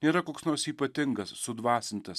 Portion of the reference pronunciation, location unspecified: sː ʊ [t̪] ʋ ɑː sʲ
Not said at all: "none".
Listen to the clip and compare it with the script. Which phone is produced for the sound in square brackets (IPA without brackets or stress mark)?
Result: d̪